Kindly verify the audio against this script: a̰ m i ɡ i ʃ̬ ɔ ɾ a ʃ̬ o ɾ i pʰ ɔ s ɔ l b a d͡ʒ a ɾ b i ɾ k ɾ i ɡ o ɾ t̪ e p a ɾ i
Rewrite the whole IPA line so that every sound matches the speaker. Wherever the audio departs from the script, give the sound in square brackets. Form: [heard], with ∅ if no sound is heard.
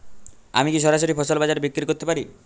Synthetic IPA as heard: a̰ m i [k] i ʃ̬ ɔ ɾ a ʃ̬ o ɾ i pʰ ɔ s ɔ l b a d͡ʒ a ɾ b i [∅] k ɾ i [k] o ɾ t̪ e p a ɾ i